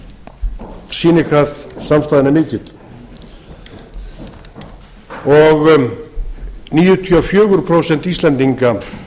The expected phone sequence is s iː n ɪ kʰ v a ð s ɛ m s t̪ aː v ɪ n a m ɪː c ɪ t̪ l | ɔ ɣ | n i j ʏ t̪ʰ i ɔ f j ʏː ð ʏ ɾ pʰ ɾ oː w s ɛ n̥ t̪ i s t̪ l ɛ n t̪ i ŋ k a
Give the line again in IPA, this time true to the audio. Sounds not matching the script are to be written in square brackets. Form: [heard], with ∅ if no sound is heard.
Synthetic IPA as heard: s iː n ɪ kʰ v a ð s [a] m s t̪ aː [ð] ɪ n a m ɪː c ɪ t̪ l | ɔ ɣ | n [iː] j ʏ t̪ʰ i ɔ f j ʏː [ɣ] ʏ ɾ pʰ ɾ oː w s ɛ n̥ t̪ i s t̪ l ɛ n t̪ i ŋ k a